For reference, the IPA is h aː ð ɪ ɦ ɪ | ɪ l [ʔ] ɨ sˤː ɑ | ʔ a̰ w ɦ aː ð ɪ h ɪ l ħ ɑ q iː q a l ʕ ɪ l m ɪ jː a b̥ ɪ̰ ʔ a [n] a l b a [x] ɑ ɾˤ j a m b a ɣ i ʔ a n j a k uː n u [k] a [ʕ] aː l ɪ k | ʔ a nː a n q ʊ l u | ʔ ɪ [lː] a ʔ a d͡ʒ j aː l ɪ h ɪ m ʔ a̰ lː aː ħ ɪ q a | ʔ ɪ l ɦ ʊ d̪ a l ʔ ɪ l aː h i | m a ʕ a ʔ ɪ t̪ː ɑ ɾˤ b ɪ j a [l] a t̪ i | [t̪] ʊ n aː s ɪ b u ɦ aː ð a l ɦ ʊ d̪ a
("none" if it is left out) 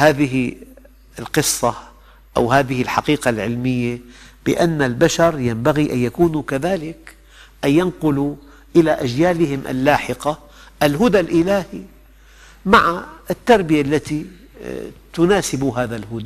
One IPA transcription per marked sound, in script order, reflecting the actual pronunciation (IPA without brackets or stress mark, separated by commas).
q, nː, ʃ, k, ð, l, lː, t̪